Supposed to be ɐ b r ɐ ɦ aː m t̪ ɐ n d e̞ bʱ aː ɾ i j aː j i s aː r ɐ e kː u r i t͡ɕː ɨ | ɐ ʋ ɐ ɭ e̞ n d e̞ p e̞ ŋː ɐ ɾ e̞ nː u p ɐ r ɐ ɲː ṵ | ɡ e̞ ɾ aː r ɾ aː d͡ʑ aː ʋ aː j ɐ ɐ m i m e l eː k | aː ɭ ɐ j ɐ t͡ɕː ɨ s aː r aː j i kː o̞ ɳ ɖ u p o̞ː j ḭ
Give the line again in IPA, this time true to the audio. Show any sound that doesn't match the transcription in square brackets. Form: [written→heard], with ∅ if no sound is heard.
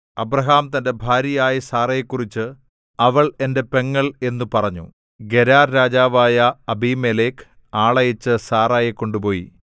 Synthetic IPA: ɐ b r ɐ ɦ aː m t̪ ɐ n d e̞ bʱ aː ɾ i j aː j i s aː r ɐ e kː u r i t͡ɕː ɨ | ɐ ʋ ɐ ɭ e̞ n d e̞ p e̞ ŋː ɐ [ɾ→ɭ] e̞ nː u p ɐ r ɐ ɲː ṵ | ɡ e̞ ɾ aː r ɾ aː d͡ʑ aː ʋ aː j ɐ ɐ [m→b] i m e l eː k | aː ɭ ɐ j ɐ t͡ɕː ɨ s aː r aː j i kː o̞ ɳ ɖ u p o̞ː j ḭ